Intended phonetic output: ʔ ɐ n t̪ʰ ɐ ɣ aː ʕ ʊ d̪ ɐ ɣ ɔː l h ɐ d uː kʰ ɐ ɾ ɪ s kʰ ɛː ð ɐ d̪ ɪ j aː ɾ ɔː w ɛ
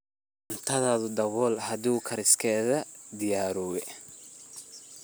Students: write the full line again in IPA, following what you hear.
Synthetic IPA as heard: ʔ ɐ n t̪ʰ ɐ ð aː ð ʊ d̪ ɐ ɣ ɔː l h ɐ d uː kʰ ɐ ɾ ɪ s kʰ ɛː ð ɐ d̪ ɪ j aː ɾ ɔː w ɛ